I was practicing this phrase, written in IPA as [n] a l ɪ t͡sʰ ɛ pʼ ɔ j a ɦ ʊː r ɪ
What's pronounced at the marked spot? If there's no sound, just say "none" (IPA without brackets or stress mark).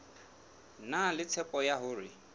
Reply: n